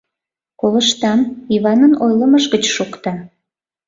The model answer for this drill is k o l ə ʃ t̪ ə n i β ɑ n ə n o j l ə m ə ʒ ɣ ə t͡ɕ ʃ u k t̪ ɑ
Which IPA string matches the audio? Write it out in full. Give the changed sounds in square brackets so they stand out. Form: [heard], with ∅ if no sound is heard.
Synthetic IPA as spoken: k o l ə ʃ t̪ [ɑ] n i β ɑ n ə n o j l ə m ə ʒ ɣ ə t͡ɕ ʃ u k t̪ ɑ